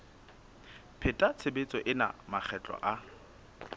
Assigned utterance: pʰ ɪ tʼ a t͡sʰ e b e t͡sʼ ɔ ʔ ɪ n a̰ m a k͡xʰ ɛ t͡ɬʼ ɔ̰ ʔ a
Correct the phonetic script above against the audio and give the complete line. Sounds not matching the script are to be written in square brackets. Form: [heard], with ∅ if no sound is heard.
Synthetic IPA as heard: pʰ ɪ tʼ a t͡sʰ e b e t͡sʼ ɔ ʔ ɪ n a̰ m a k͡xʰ ɛ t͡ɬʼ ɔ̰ ʔ a